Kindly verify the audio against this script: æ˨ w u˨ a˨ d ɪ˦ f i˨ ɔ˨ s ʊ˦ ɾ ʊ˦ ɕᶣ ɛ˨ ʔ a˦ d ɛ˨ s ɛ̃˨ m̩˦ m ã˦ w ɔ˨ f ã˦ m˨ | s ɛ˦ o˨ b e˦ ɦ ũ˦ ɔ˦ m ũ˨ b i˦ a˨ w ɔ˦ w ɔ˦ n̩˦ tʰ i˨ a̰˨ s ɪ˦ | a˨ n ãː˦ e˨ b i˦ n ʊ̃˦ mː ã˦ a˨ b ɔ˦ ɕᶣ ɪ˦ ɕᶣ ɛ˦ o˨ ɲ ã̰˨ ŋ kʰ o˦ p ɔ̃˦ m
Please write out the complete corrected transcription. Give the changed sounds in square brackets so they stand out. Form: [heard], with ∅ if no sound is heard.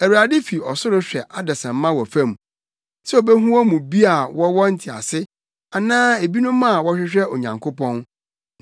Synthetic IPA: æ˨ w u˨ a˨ d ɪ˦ f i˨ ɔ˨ s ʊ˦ ɾ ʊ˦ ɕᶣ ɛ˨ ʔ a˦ d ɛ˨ s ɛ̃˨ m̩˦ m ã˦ w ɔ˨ f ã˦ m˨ | s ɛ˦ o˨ b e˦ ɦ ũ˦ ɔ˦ m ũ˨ b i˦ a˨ w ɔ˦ w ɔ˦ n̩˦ tʰ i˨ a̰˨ s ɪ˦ | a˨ n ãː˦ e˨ b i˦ n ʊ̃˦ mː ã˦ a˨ [w] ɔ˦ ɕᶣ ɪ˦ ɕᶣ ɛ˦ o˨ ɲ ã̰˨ ŋ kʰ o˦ p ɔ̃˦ [n]